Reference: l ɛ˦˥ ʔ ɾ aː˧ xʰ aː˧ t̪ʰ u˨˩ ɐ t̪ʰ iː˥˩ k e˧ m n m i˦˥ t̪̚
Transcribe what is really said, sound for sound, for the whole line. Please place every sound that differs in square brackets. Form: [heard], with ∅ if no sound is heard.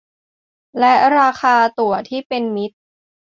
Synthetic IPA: l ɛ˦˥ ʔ ɾ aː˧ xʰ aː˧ [t̪] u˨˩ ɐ t̪ʰ iː˥˩ [p] e˧ [∅] n m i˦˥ t̪̚